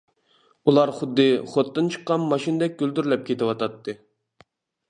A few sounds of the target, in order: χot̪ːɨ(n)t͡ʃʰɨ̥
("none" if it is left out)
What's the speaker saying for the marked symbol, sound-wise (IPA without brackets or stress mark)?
n